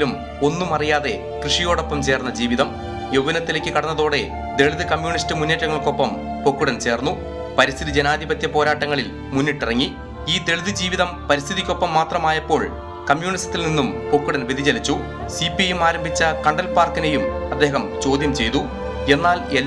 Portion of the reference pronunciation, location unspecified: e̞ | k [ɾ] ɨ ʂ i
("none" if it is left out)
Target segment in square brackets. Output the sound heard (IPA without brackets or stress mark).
r